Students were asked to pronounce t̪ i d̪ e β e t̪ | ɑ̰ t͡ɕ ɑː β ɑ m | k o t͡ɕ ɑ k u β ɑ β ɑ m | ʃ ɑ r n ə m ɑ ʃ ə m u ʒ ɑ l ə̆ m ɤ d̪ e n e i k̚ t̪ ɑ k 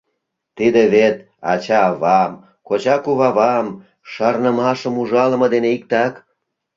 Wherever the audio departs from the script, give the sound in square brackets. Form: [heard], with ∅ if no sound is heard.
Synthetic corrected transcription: t̪ i d̪ e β e t̪ | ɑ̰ t͡ɕ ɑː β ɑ m | k o t͡ɕ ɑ k u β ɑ β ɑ m | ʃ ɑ r n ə m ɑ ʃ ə m u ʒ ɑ l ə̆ m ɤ d̪ e n e i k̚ t̪ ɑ k